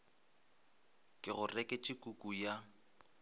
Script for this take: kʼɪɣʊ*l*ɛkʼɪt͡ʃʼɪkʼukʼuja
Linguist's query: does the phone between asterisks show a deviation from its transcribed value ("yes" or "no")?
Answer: yes